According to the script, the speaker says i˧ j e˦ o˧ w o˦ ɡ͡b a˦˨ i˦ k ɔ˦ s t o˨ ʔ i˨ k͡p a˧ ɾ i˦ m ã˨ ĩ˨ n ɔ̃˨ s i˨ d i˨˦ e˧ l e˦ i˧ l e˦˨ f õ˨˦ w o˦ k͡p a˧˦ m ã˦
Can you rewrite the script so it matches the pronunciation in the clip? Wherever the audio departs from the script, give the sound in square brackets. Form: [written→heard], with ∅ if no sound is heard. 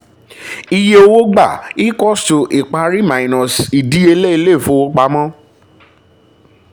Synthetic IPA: i˧ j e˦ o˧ w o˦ ɡ͡b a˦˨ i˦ k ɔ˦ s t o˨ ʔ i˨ k͡p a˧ ɾ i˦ m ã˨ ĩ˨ n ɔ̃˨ s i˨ d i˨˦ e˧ l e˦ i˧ l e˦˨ f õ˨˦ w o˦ k͡p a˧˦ m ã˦